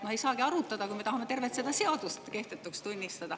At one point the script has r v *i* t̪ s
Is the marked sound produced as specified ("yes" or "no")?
no